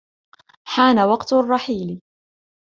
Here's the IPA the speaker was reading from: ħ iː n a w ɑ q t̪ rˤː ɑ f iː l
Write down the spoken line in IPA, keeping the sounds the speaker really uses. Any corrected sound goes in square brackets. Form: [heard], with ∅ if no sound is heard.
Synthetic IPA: ħ [aː] n a w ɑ q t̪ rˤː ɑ [ħ] iː l